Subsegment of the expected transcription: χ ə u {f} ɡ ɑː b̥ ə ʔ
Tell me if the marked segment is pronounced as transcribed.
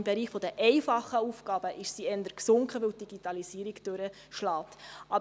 yes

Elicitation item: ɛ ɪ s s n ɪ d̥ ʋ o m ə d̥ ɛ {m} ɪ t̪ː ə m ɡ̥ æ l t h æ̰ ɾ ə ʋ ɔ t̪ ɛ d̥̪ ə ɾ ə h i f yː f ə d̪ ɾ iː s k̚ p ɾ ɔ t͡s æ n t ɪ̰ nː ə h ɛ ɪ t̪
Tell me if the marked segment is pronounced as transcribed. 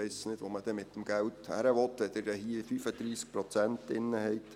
yes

